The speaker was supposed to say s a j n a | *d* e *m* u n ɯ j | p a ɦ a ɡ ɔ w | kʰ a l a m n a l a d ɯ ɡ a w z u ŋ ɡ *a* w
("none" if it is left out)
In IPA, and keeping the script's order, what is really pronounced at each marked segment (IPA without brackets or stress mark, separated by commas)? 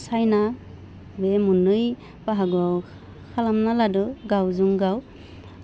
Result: b, m, a